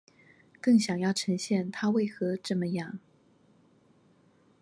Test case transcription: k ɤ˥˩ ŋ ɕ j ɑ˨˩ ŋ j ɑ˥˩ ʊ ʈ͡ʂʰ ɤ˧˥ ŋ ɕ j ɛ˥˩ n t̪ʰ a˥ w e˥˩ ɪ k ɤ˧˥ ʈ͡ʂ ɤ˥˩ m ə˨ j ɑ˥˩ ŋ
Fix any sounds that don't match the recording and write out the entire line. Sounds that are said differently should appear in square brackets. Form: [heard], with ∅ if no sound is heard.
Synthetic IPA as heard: k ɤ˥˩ ŋ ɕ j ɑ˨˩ ŋ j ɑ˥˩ ʊ ʈ͡ʂʰ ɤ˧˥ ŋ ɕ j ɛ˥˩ n t̪ʰ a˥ w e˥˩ ɪ [x] ɤ˧˥ ʈ͡ʂ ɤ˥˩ m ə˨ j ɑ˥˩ ŋ